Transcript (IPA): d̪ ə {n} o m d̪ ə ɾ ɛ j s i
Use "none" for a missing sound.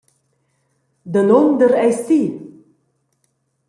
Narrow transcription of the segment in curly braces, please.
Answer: n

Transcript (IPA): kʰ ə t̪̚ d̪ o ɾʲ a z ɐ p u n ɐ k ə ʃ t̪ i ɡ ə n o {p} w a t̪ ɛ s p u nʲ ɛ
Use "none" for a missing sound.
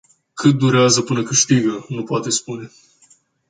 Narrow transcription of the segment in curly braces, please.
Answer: p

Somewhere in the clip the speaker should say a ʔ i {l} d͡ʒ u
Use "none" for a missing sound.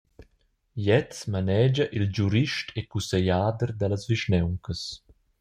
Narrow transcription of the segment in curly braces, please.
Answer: l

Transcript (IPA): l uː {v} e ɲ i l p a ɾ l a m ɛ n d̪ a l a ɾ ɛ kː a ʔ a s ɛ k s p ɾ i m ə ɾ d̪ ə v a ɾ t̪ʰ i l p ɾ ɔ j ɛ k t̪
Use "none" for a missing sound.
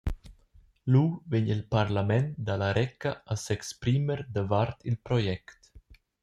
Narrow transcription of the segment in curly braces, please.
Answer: v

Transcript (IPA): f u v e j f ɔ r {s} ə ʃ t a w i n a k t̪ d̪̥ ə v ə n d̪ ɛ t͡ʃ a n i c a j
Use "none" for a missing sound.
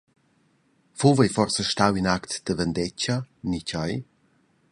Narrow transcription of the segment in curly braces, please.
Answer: s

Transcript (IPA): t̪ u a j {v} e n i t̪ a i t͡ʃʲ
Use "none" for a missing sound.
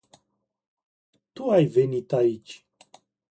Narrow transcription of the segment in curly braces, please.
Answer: v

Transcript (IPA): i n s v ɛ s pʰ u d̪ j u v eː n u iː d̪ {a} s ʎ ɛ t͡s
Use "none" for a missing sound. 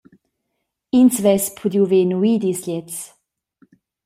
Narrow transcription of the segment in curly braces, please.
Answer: i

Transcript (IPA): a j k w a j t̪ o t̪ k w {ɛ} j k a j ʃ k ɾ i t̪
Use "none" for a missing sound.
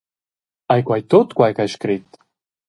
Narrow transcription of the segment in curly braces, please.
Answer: a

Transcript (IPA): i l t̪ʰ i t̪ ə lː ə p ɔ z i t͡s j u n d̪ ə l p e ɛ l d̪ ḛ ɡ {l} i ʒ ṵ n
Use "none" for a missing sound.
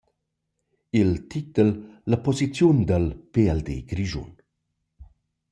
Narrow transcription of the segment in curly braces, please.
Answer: ɾ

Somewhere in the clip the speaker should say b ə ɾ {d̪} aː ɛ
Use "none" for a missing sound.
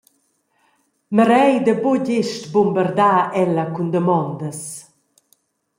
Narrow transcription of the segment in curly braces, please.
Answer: d̪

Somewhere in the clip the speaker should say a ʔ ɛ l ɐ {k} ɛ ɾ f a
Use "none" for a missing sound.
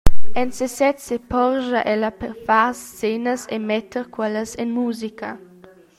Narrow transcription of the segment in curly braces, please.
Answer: p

